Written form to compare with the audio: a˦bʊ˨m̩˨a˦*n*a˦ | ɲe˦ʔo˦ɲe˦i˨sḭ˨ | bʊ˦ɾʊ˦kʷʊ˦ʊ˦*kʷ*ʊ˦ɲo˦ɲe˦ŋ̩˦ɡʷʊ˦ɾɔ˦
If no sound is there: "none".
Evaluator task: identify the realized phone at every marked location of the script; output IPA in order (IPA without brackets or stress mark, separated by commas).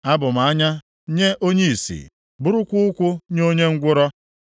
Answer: ɲ, kʷ